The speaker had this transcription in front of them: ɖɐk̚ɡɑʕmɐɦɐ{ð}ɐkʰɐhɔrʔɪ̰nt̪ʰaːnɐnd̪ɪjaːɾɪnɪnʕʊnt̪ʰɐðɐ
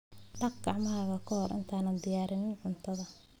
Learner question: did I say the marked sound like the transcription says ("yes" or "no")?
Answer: no